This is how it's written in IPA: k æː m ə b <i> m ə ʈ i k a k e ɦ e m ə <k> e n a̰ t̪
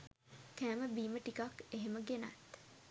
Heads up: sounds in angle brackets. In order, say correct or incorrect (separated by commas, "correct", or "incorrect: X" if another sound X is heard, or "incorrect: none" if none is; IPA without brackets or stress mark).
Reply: incorrect: iː, incorrect: ɡ